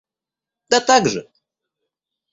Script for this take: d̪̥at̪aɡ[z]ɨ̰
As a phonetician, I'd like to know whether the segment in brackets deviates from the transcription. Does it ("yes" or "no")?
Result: yes